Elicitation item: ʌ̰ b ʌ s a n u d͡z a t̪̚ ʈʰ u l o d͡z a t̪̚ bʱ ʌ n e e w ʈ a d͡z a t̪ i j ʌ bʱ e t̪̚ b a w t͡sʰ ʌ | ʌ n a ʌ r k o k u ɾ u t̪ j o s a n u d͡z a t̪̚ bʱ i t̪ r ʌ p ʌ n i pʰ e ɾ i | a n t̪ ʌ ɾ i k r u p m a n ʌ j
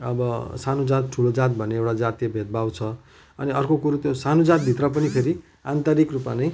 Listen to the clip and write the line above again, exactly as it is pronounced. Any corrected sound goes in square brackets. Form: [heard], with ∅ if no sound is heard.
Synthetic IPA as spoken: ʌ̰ b ʌ s a n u d͡z a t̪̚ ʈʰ u l o d͡z a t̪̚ bʱ ʌ n e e w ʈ a d͡z a t̪ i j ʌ bʱ e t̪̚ b a w t͡sʰ ʌ | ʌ n [i] ʌ r k o k u ɾ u t̪ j o s a n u d͡z a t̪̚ bʱ i t̪ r ʌ p ʌ n i pʰ e ɾ i | a n t̪ ʌ ɾ i k r u p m a n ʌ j